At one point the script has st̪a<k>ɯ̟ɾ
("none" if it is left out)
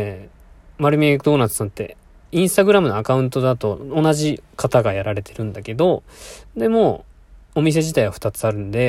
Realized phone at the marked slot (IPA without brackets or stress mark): ɡ